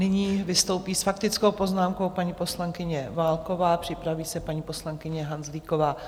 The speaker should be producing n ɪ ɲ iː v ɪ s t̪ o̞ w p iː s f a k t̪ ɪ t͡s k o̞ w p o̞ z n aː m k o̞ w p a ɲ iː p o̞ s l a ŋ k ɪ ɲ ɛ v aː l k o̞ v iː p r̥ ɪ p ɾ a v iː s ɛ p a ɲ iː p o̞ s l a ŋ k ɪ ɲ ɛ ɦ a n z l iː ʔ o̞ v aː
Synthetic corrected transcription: n ɪ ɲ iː v ɪ s t̪ o̞ w p iː s f a k t̪ ɪ t͡s k o̞ w p o̞ z n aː m k o̞ w p a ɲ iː p o̞ s l a ŋ k ɪ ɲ ɛ v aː l k o̞ v aː p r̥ ɪ p ɾ a v iː s ɛ p a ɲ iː p o̞ s l a ŋ k ɪ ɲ ɛ ɦ a n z l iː k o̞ v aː